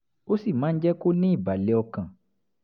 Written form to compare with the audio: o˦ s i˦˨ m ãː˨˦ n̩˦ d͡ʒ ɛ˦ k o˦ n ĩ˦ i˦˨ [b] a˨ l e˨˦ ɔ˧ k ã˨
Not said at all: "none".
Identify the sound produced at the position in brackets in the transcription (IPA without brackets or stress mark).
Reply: b